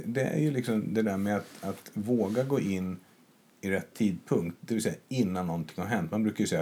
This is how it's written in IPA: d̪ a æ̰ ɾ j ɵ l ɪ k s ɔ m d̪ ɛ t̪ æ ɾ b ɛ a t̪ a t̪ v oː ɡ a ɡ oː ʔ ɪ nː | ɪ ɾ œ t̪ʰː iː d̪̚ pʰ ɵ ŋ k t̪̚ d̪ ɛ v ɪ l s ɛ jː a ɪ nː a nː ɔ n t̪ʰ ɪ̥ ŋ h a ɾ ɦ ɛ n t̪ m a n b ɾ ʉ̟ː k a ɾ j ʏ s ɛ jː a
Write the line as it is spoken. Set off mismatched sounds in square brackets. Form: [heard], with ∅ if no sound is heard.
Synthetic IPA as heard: d̪ [ɛ] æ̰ ɾ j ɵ l ɪ k s ɔ m d̪ ɛ [d̪] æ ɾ [m] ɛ a t̪ a t̪ v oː ɡ a ɡ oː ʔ ɪ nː | ɪ ɾ [ɛ] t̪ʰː iː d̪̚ pʰ ɵ ŋ k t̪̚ d̪ ɛ v ɪ l s ɛ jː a ɪ nː a nː ɔ n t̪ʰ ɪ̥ ŋ h a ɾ ɦ ɛ n t̪ m a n b ɾ ʉ̟ː k a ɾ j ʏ s ɛ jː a